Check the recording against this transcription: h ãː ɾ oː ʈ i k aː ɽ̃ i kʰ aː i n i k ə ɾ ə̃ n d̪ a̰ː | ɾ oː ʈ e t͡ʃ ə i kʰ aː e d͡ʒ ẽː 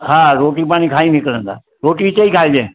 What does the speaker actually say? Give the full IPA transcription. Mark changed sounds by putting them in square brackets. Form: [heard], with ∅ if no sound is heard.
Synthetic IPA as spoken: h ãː ɾ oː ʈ i [p] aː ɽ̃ i kʰ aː i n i k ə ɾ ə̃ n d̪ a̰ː | ɾ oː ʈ [i] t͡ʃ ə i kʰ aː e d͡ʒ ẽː

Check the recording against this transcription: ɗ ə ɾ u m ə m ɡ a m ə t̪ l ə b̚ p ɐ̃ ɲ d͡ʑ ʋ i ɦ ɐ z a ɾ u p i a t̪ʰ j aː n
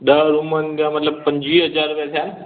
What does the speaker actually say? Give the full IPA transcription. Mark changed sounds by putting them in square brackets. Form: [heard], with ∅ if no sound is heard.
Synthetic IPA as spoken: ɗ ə ɾ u m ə [n] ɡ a m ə t̪ l ə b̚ p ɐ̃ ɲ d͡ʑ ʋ i ɦ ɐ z a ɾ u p [j] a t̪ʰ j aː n

